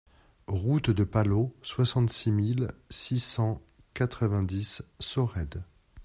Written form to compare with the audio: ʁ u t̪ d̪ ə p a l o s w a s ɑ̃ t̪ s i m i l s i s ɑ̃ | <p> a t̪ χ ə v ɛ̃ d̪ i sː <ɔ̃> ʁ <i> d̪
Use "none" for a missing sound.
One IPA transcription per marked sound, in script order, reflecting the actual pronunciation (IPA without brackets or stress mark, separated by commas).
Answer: k, ɔ, ɛ